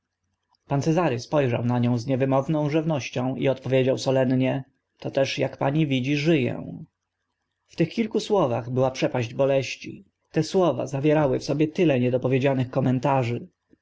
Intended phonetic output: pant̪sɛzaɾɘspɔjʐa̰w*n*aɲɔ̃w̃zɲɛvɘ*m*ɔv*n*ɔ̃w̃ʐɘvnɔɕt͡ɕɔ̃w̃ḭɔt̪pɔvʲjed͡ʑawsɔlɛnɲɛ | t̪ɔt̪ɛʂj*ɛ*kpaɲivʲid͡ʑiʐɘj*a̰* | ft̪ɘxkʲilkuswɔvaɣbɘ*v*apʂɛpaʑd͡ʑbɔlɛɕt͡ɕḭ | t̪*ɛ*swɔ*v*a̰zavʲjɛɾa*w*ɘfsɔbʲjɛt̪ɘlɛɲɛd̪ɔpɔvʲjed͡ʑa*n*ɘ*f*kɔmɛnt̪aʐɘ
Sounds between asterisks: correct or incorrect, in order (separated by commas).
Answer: correct, correct, correct, incorrect, incorrect, incorrect, correct, correct, correct, correct, incorrect